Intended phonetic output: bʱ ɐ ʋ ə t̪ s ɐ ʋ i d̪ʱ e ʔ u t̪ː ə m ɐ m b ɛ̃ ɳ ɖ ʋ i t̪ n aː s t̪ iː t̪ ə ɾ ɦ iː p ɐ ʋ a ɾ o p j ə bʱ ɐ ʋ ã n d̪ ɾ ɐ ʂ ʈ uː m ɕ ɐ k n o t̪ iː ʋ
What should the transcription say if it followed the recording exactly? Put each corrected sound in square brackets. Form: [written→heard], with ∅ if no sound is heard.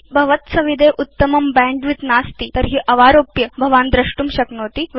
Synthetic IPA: bʱ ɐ ʋ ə t̪ s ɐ ʋ i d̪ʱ e ʔ u t̪ː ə m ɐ m b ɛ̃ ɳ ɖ ʋ i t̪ n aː s t̪ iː t̪ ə ɾ ɦ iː [p→ʔ] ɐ ʋ a ɾ o p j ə bʱ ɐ ʋ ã n d̪ ɾ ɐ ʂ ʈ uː m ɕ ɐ k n o t̪ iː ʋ